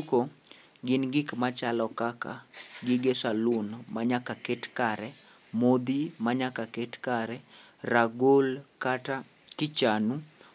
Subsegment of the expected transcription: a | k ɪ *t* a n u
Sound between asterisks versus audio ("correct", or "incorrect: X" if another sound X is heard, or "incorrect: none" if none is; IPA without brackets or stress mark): incorrect: t͡ʃ